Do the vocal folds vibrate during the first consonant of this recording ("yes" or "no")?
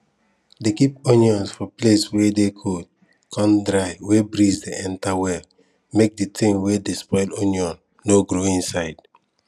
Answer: yes